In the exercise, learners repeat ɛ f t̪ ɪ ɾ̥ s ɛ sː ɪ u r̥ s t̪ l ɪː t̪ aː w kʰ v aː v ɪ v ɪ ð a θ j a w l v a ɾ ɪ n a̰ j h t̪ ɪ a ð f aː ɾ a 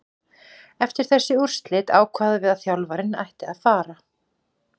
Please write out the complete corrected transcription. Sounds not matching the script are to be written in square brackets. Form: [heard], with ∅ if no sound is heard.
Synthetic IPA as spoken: ɛ f t̪ ɪ ɾ̥ [θ] ɛ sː ɪ u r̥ s t̪ l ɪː t̪ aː w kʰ v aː [ð] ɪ v ɪ ð a θ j a w l v a ɾ ɪ n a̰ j h t̪ ɪ a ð f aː ɾ a